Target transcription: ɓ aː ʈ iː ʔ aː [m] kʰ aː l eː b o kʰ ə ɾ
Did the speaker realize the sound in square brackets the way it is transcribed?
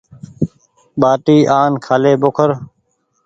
no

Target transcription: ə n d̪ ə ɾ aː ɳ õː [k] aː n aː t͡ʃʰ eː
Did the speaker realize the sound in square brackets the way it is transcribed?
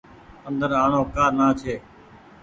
yes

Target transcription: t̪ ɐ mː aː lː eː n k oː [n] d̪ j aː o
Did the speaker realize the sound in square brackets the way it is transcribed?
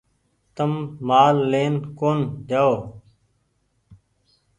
yes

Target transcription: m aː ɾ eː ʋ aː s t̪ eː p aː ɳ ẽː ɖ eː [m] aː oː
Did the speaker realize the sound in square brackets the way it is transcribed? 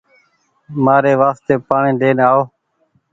no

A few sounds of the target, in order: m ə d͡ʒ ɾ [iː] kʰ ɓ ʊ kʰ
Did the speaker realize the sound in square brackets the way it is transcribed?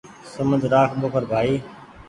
no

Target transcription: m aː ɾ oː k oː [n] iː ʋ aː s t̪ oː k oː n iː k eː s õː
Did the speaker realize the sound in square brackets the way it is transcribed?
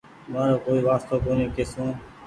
no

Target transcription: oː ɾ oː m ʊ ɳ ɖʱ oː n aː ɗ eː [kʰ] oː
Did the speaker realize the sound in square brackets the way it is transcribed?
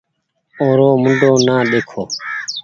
yes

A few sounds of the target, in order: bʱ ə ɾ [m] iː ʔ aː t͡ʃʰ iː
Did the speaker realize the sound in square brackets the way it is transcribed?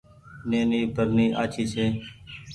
no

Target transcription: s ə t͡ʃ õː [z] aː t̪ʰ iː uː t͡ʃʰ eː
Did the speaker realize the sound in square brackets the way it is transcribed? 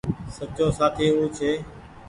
no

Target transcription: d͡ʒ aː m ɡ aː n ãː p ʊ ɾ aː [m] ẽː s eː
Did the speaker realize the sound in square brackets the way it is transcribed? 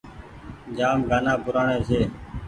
no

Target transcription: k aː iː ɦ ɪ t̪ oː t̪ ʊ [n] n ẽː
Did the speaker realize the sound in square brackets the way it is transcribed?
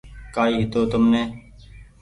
no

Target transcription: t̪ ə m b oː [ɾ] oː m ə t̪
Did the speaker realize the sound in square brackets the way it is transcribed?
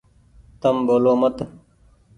no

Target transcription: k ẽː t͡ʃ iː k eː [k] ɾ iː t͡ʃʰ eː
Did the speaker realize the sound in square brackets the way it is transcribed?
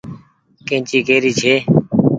no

